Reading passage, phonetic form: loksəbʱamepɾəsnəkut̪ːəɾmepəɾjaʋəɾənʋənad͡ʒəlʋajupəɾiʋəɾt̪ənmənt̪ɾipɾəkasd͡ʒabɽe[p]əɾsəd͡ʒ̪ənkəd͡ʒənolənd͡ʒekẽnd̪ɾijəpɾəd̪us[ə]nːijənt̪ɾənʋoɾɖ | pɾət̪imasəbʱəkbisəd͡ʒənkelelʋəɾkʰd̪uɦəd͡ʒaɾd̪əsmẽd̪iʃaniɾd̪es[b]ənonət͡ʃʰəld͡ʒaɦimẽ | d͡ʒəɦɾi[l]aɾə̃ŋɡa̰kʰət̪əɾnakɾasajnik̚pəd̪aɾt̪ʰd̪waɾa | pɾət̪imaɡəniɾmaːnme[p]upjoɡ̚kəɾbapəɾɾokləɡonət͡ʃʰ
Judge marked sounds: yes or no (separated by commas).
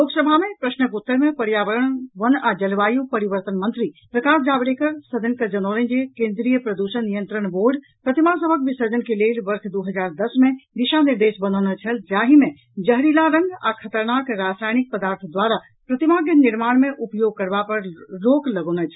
no, yes, yes, yes, no